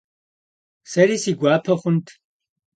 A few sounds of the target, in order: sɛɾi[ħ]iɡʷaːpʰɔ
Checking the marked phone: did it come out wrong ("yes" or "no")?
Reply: yes